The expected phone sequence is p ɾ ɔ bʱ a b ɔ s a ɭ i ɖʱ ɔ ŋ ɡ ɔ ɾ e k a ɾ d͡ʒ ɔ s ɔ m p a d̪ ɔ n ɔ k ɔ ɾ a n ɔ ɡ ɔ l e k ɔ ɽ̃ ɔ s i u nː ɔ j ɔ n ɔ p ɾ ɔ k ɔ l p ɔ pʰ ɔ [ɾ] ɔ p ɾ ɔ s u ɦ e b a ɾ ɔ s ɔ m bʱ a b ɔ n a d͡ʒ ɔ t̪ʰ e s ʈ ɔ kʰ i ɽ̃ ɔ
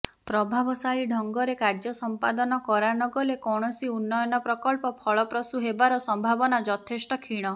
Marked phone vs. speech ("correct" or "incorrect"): incorrect